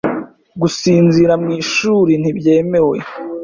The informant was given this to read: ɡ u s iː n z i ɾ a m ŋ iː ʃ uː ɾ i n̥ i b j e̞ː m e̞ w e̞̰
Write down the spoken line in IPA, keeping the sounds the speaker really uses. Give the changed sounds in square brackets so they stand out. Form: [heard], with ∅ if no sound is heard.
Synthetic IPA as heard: ɡ u s iː n z i ɾ a m ŋ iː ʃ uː ɾ i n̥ i b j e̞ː m e̞ w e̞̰